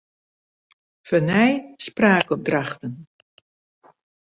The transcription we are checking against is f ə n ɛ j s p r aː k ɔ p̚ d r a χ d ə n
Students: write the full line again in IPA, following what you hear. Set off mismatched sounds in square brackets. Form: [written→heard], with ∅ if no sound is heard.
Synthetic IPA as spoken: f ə n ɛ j s p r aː k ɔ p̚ d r a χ [d→t] ə n